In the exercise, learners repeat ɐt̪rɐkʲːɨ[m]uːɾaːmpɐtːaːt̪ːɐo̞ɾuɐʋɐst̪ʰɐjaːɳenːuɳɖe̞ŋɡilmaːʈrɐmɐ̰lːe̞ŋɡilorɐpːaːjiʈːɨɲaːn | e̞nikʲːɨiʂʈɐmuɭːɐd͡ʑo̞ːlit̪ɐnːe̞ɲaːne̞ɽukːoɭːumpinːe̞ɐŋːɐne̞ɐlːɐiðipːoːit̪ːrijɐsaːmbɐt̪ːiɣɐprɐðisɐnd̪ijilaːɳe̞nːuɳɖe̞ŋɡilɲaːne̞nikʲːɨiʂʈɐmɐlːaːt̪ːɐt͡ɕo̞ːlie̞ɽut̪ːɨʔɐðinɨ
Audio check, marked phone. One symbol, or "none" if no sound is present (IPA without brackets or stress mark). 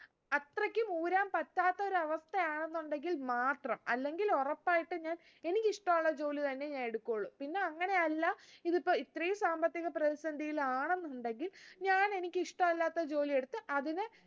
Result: m